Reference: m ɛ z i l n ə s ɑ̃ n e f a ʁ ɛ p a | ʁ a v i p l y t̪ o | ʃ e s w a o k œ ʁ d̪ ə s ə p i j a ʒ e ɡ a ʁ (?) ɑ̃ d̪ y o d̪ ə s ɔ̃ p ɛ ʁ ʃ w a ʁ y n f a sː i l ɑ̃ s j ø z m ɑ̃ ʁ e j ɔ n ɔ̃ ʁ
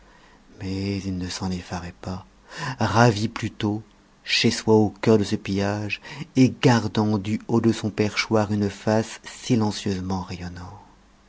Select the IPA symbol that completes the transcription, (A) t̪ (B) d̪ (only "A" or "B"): B